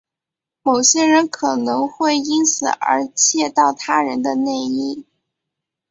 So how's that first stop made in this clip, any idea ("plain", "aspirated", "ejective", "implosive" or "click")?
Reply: aspirated